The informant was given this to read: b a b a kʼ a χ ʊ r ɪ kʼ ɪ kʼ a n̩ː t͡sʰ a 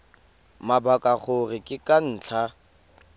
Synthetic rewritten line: m a b a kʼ a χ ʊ r ɪ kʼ ɪ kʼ a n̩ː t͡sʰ a